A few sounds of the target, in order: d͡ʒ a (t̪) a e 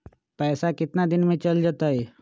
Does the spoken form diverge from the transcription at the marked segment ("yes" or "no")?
no